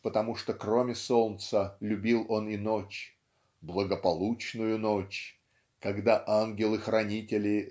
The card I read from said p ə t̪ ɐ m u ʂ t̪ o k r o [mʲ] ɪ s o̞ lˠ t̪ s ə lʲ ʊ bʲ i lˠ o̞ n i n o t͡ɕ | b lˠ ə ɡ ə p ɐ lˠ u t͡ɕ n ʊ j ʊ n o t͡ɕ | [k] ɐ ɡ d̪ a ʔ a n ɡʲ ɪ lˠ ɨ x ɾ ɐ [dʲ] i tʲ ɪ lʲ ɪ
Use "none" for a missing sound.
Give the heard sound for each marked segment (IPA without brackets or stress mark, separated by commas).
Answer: mʲ, k, nʲ